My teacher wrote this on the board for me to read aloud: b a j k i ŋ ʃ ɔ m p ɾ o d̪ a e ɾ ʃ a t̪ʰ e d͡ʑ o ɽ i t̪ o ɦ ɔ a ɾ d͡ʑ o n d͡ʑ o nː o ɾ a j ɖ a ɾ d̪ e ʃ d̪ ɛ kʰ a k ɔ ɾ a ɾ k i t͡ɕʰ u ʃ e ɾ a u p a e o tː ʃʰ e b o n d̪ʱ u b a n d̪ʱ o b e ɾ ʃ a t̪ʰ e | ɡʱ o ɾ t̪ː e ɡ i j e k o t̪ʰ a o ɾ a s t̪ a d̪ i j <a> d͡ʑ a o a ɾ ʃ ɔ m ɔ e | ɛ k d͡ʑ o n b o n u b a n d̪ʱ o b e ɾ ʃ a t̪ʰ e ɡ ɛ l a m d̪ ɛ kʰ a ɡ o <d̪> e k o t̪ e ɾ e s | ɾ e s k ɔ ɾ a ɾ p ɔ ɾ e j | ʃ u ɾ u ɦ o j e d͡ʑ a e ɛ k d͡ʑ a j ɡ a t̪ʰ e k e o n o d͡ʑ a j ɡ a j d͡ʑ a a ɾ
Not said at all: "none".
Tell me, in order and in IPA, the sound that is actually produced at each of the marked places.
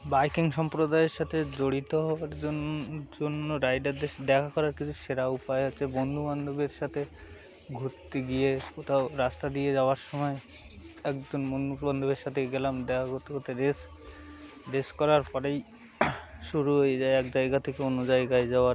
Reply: e, t̪

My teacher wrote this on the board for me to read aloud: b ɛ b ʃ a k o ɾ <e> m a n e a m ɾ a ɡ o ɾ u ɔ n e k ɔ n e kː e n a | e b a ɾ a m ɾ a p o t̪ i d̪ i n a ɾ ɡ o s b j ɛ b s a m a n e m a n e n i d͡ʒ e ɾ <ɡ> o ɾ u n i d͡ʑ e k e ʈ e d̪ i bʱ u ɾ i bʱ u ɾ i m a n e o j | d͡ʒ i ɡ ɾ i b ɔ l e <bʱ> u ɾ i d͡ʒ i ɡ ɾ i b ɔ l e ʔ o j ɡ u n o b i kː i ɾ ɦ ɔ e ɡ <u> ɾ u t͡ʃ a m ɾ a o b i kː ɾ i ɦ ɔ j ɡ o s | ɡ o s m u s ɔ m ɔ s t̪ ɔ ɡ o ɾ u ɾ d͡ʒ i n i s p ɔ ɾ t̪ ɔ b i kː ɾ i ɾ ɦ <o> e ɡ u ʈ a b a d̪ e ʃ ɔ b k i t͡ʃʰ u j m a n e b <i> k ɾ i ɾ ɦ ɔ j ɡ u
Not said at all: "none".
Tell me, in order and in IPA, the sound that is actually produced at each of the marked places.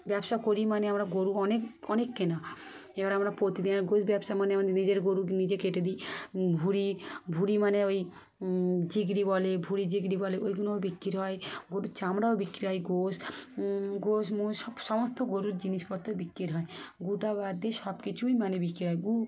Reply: i, ɡ, bʱ, o, ɔ, i

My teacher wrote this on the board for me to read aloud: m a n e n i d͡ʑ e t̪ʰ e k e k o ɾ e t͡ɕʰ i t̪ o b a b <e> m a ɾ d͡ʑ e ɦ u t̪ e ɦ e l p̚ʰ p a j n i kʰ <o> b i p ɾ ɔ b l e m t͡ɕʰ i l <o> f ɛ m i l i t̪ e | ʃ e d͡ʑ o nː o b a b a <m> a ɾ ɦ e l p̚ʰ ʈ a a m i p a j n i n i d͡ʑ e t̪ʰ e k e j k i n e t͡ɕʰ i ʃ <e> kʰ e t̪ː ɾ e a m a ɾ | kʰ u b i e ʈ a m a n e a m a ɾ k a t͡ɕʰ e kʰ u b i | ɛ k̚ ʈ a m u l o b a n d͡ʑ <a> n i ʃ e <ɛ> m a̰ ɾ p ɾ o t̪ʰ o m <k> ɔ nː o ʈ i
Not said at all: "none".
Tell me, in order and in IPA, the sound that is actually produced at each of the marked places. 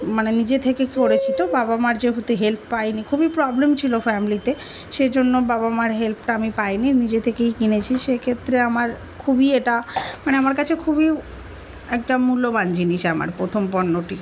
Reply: a, u, o, m, e, i, a, p

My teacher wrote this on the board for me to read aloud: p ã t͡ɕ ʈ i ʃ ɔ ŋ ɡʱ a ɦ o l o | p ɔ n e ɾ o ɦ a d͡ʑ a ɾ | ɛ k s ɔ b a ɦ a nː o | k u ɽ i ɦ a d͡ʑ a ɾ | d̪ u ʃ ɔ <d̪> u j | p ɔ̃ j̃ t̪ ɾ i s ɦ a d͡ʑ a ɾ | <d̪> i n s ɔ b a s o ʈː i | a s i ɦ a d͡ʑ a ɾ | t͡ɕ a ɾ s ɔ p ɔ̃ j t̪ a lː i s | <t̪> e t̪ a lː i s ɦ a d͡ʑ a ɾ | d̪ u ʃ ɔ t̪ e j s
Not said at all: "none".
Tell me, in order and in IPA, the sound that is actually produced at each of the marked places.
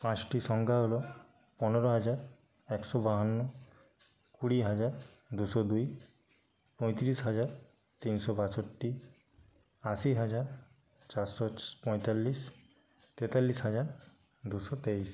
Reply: d̪, t̪, t̪

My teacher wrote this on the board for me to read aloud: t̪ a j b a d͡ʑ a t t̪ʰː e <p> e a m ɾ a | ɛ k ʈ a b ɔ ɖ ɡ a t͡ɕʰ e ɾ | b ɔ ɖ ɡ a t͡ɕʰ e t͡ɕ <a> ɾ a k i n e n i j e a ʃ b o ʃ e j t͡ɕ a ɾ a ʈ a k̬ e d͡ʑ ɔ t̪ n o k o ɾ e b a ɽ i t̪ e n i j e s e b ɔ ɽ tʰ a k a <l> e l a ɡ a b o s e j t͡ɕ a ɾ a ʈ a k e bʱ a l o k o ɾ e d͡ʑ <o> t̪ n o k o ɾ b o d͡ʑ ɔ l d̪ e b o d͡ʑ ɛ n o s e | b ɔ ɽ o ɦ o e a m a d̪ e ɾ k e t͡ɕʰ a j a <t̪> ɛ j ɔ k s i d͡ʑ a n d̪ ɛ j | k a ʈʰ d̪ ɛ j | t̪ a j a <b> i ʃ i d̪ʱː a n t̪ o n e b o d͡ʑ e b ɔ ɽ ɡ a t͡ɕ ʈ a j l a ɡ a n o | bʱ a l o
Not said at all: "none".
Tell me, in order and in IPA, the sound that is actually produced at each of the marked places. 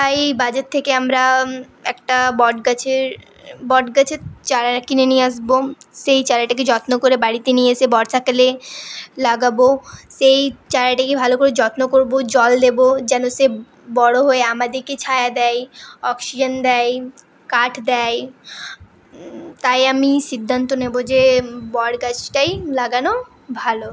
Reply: k, a, l, ɔ, d̪, m

